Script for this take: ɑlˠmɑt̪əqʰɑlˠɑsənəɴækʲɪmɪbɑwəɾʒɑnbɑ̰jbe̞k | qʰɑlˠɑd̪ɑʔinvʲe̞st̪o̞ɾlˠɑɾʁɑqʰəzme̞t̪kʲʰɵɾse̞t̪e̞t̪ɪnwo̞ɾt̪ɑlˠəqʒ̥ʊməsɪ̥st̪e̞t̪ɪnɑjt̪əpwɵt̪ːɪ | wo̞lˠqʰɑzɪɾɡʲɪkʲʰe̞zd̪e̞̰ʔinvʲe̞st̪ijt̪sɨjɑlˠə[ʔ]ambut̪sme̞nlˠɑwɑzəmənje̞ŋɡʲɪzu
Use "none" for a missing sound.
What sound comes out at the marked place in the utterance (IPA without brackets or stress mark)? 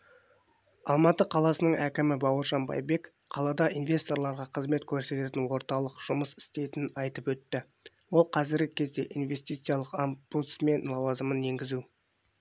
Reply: q